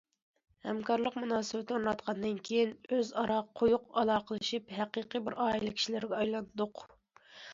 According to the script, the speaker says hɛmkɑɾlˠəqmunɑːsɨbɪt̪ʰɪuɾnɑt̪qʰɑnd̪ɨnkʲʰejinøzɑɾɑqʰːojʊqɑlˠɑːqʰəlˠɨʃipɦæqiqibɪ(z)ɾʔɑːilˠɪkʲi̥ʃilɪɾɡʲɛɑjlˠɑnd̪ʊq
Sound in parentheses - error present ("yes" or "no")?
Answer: yes